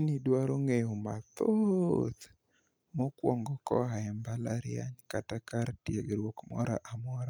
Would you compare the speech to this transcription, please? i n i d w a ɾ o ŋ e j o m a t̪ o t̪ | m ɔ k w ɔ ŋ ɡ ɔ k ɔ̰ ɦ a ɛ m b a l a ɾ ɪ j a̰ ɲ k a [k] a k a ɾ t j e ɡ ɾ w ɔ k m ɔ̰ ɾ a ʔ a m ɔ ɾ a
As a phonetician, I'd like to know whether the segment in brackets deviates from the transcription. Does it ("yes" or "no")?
yes